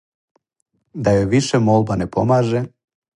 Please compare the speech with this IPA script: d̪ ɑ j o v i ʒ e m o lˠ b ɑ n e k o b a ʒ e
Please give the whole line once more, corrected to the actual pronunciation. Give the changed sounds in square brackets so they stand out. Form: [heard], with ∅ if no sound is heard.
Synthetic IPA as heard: d̪ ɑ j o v i [ʃ] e m o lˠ b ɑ n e [p] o [m] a ʒ e